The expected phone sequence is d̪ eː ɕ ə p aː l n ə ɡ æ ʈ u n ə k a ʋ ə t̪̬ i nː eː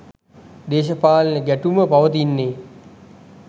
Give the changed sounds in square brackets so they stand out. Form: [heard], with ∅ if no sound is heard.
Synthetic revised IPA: d̪ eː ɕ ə p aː l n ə ɡ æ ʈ u [m] ə [p] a ʋ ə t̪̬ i nː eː